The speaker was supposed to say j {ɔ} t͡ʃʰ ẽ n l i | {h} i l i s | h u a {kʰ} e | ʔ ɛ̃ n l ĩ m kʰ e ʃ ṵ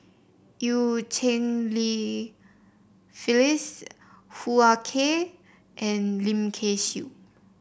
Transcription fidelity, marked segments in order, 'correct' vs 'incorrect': incorrect: u, incorrect: f, correct

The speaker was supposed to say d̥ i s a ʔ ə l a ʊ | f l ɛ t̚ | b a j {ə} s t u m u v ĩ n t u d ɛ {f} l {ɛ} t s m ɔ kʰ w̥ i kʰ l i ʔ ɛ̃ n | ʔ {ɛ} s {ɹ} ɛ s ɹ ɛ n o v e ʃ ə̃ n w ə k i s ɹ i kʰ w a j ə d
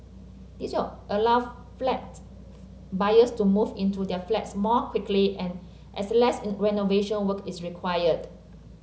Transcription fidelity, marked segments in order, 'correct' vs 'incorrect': correct, correct, correct, correct, incorrect: l

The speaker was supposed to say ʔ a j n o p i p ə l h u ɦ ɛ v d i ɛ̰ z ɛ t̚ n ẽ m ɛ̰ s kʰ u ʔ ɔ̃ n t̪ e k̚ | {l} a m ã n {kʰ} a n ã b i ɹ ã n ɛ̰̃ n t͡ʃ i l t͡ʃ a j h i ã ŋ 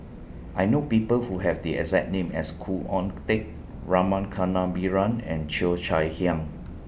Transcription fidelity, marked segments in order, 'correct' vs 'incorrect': incorrect: ɹ, correct

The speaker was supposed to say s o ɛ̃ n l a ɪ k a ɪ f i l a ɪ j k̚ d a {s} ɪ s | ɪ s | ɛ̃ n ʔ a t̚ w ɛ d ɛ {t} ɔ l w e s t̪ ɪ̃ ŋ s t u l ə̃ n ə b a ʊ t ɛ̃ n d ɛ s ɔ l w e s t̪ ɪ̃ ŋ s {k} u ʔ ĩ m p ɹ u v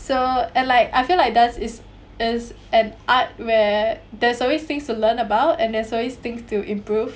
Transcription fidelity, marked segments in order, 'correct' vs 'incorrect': correct, incorrect: s, incorrect: t

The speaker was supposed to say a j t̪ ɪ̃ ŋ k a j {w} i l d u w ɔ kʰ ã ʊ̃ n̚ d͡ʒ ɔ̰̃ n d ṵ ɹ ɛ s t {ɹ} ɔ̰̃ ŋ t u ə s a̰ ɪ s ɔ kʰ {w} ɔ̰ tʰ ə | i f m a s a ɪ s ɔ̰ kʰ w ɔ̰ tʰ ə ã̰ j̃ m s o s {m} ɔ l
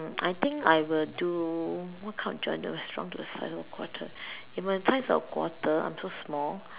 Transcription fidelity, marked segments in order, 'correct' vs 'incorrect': correct, correct, correct, correct

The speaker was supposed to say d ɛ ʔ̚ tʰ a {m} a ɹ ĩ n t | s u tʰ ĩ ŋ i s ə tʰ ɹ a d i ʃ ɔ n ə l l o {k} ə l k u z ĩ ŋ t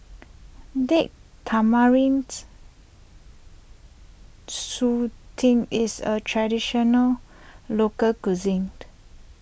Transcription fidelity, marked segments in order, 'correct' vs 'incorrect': correct, correct

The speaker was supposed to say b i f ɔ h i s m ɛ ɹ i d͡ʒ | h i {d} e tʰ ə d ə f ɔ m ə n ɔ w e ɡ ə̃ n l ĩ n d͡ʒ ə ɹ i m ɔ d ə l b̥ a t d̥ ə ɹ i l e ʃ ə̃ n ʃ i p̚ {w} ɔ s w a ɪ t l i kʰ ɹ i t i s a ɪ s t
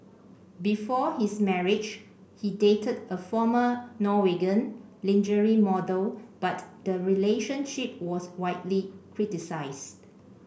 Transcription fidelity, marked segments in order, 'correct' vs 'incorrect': correct, correct

